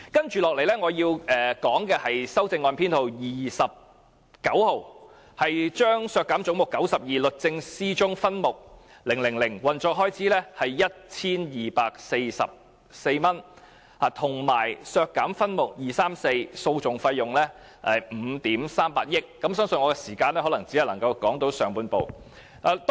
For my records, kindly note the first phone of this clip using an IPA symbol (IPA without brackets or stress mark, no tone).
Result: k